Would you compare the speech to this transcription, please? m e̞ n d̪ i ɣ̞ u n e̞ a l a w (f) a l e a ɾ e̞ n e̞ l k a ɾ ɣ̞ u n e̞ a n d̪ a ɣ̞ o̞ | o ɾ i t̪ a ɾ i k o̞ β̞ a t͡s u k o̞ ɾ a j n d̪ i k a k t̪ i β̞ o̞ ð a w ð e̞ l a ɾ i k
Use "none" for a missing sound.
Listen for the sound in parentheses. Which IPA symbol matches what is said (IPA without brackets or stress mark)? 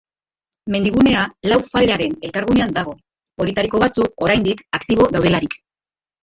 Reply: f